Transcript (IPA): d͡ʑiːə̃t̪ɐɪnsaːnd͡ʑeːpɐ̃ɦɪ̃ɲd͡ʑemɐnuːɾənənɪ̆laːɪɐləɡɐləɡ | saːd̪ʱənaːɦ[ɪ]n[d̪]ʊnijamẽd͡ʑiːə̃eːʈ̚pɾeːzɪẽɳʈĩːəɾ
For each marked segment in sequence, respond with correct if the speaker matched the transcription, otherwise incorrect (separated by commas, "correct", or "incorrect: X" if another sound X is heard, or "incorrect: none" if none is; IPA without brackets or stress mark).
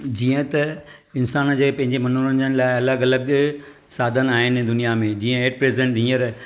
correct, correct